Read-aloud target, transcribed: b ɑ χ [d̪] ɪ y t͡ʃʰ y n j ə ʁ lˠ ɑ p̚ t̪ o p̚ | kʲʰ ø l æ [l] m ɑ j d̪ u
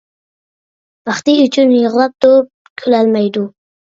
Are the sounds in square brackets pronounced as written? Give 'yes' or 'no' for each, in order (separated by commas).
no, yes